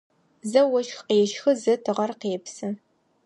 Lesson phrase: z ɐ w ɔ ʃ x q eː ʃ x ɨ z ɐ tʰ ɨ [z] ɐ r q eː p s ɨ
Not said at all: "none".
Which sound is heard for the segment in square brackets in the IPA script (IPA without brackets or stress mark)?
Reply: ʁ